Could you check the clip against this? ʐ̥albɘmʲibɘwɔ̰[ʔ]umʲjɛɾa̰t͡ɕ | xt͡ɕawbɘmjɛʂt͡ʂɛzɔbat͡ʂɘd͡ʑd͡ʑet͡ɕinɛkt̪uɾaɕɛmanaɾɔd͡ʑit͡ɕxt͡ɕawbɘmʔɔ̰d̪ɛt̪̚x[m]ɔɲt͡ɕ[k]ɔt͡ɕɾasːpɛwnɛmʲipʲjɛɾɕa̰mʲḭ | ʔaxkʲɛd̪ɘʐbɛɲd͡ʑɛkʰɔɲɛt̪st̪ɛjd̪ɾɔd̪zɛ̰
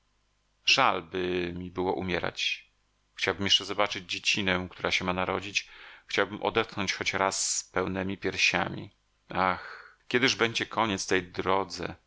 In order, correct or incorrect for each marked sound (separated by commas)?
correct, incorrect, incorrect